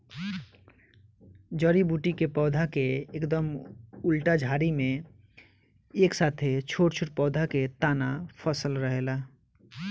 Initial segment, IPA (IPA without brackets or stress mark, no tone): d͡ʒ